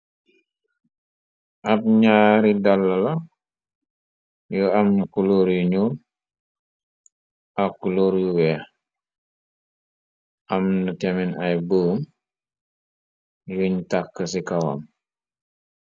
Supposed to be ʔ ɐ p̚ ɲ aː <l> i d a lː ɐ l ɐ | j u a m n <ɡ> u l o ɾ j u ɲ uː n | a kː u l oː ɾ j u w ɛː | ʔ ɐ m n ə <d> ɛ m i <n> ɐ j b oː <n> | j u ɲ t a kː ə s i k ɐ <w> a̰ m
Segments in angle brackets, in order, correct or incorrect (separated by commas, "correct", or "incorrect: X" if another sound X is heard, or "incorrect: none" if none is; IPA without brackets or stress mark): incorrect: ɾ, incorrect: k, incorrect: t, correct, incorrect: m, correct